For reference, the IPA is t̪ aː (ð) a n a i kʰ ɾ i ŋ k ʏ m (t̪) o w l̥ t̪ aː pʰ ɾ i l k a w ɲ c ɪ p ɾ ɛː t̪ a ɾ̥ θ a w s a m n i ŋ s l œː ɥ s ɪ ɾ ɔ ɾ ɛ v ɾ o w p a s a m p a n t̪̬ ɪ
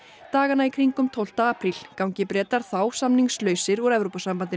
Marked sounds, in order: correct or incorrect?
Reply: incorrect, incorrect

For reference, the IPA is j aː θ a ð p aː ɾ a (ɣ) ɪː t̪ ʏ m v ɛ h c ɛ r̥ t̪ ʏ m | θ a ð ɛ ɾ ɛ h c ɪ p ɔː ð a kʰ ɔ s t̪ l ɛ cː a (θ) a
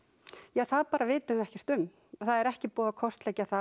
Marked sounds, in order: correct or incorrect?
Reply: incorrect, correct

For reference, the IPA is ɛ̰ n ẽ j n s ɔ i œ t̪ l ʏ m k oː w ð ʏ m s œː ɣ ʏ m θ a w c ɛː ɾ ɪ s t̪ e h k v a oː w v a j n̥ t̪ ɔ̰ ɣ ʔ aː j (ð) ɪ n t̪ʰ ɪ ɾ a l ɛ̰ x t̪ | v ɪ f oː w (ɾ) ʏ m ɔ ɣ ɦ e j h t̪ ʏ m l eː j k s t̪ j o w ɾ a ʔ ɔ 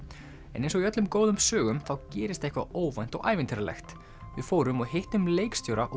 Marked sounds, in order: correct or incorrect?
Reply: incorrect, correct

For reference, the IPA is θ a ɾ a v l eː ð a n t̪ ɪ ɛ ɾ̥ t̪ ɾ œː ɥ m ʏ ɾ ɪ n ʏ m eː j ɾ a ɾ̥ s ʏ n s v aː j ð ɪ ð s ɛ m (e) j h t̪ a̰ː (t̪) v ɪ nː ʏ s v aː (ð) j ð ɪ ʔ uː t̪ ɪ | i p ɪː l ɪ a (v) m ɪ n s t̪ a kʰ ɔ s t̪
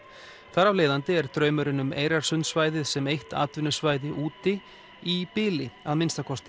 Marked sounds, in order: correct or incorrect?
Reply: correct, correct, incorrect, incorrect

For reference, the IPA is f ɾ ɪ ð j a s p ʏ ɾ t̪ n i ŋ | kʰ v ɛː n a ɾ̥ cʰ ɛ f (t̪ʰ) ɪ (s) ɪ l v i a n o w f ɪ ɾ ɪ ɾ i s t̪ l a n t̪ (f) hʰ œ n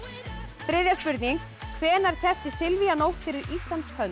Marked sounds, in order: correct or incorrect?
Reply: incorrect, correct, incorrect

